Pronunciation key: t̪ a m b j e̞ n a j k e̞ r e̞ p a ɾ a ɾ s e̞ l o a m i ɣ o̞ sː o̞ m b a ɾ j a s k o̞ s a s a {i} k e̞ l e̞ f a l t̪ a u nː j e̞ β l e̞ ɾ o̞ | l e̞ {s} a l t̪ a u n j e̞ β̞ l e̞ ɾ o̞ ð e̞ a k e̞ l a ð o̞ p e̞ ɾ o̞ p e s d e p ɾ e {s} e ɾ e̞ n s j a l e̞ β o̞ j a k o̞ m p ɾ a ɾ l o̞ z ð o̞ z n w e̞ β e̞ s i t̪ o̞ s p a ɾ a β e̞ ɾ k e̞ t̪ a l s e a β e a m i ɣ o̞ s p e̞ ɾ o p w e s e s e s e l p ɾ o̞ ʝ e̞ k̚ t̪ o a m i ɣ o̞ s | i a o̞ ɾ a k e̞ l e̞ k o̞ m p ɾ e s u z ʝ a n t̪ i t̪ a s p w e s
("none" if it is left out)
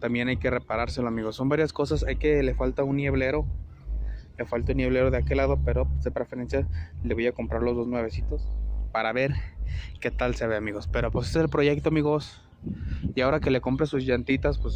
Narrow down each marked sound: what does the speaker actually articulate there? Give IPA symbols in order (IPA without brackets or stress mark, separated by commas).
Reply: j, f, f